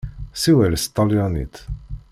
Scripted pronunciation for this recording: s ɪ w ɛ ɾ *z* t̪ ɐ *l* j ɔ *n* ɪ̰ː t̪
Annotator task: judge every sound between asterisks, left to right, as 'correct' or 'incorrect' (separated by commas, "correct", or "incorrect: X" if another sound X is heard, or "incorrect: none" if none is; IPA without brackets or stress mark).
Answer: incorrect: s, correct, correct